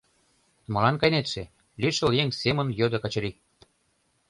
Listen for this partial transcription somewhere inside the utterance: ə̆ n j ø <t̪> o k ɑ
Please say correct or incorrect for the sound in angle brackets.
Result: incorrect